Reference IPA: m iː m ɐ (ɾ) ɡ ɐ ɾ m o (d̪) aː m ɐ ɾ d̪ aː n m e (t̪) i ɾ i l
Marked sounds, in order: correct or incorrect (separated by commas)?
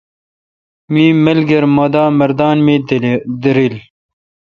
incorrect, correct, incorrect